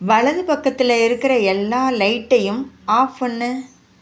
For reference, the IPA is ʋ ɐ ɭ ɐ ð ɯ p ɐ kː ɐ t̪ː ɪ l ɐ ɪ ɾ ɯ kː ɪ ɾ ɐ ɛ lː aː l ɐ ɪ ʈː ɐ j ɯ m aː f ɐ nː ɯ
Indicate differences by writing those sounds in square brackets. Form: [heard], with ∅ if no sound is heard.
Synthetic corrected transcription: ʋ ɐ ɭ ɐ ð ɯ p ɐ kː ɐ t̪ː ɪ l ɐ ɪ ɾ ɯ kː ɪ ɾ ɐ ɛ lː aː l ɐ ɪ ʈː ɐ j ɯ m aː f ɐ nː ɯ